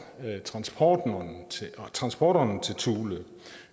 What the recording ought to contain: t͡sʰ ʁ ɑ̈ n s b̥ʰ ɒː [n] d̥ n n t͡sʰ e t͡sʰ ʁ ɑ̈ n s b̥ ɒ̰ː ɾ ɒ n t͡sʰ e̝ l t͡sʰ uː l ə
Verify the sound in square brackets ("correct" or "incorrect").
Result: incorrect